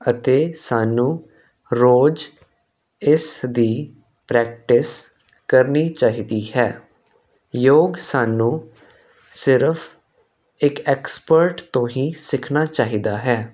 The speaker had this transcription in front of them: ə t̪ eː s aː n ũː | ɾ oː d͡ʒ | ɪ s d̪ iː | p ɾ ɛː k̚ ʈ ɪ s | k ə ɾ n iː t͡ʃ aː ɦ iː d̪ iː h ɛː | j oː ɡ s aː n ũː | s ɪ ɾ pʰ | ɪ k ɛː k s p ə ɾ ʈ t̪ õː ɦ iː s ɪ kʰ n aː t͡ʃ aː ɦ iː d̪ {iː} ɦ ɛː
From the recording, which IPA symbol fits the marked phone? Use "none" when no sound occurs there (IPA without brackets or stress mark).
aː